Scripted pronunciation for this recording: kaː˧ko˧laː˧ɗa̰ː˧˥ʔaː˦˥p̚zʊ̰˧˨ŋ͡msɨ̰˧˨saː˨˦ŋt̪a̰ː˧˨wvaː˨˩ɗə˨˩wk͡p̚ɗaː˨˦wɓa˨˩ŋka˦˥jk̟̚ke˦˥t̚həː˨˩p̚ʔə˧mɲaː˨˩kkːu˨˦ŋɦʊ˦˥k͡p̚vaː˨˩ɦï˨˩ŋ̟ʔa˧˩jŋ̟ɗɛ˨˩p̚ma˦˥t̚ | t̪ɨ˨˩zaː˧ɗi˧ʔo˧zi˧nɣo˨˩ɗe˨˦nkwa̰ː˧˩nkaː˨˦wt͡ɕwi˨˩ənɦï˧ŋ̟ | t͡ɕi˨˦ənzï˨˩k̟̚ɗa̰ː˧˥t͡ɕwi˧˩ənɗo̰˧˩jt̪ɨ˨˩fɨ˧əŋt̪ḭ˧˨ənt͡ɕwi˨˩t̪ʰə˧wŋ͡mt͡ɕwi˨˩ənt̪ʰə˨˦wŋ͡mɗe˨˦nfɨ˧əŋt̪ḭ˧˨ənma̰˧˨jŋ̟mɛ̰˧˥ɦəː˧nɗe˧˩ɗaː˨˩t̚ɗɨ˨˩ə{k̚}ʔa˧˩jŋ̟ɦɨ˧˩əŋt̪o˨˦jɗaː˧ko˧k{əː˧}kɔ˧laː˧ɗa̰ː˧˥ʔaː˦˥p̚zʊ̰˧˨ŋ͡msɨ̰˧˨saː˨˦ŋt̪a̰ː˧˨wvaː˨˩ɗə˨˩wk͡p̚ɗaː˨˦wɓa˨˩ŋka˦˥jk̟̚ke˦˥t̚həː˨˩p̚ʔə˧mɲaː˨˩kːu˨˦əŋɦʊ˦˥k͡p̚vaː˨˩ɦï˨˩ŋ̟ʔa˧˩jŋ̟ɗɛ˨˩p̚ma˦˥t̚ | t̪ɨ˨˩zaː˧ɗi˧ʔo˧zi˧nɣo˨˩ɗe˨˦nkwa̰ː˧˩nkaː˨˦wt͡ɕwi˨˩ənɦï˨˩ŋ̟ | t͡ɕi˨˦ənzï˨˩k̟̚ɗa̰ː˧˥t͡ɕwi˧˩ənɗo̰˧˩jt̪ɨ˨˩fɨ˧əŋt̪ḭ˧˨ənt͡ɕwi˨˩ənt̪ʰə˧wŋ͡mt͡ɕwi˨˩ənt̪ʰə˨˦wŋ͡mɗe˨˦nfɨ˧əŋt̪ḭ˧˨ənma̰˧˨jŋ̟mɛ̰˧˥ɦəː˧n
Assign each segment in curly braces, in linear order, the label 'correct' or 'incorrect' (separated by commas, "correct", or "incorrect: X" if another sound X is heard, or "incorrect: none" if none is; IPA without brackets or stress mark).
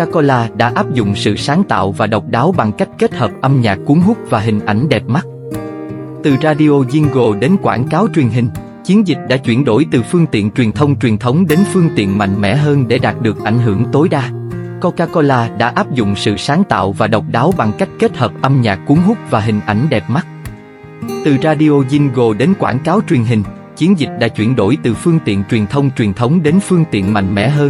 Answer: correct, incorrect: aː˧